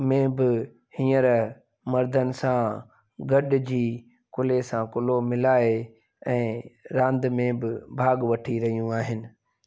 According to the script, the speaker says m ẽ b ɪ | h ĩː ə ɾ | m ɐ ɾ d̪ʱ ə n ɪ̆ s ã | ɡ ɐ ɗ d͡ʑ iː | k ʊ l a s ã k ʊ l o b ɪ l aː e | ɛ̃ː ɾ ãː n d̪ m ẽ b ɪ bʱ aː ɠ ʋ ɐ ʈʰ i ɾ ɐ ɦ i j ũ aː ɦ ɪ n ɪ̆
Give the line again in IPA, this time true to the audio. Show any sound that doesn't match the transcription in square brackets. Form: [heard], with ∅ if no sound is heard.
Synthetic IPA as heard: m ẽ b ɪ | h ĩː ə ɾ | m ɐ ɾ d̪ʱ ə n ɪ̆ s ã | ɡ ɐ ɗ d͡ʑ iː | k ʊ l [e] s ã k ʊ l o [m] ɪ l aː e | ɛ̃ː ɾ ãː n d̪ m ẽ b ɪ bʱ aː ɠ ʋ ɐ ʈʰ i ɾ ɐ ɦ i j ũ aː ɦ ɪ n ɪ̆